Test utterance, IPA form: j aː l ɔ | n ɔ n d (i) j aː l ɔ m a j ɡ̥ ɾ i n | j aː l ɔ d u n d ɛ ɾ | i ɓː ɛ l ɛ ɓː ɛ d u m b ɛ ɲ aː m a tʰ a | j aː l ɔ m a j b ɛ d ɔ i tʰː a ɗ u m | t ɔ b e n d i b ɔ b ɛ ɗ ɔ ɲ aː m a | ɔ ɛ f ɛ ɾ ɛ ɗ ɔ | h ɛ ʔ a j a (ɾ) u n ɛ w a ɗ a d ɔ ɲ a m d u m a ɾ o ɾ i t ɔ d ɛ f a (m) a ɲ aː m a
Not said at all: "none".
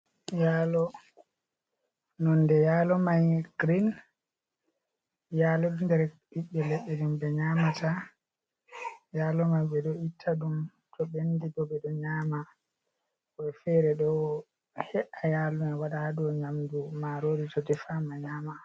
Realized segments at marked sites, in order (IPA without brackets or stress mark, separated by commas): ɛ, l, m